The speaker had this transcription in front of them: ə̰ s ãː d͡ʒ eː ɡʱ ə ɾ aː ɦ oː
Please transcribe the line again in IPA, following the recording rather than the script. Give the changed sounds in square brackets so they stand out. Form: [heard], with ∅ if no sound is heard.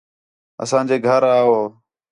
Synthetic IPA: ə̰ s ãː d͡ʒ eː ɡʱ ə ɾ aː ɦ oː